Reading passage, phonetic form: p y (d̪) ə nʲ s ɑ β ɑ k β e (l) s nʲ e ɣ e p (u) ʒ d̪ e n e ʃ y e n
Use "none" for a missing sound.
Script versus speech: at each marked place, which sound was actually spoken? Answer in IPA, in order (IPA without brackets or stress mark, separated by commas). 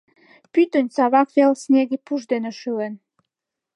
t̪, l, u